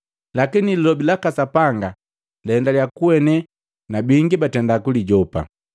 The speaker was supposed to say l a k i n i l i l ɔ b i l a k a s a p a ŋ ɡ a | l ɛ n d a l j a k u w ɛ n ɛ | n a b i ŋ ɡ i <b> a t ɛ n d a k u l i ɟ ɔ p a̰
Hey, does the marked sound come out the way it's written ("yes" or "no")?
yes